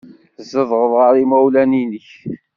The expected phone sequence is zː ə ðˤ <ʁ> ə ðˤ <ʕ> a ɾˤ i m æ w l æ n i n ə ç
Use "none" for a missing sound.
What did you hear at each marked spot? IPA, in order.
ʁ, ʁ

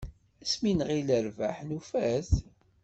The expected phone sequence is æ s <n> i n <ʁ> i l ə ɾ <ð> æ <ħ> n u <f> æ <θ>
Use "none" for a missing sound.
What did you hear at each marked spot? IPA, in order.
m, ʁ, v, ħ, f, θ

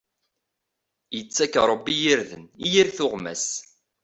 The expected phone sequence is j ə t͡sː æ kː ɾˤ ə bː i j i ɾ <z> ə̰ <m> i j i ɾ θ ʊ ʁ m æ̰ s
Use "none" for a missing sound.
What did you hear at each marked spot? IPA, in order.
ð, n

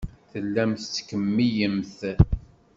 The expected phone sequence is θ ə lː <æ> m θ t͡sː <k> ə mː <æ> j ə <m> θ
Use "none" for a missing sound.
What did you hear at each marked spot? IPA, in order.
æ, k, i, m

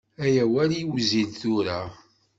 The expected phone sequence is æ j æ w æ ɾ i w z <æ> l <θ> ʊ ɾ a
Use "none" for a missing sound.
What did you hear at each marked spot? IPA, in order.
i, θ

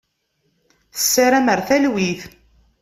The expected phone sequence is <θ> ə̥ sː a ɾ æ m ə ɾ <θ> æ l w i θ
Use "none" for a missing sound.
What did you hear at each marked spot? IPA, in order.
θ, θ

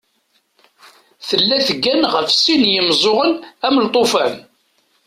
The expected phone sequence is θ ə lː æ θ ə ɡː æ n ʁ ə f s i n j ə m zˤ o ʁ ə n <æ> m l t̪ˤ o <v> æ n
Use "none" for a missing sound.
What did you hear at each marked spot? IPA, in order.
æ, f

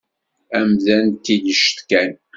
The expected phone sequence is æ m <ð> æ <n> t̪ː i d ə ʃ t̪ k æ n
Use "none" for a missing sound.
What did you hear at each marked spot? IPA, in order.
ð, n

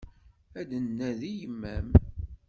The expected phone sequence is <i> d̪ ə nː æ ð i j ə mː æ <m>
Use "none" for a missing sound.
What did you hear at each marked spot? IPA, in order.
æ, m

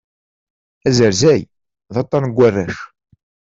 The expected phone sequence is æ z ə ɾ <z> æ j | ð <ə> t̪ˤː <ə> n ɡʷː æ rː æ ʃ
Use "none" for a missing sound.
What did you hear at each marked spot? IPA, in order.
z, ɑ, ɑ

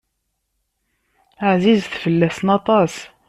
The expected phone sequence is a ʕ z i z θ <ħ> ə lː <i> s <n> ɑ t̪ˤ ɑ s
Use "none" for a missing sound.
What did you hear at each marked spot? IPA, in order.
f, æ, n

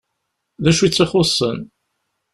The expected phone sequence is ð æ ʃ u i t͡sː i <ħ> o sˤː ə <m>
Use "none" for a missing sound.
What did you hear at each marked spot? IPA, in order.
χ, n

